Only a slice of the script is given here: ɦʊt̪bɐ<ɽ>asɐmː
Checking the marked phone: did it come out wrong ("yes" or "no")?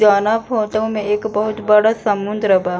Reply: no